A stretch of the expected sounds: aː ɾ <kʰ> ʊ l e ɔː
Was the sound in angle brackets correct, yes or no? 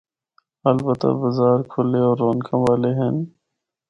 yes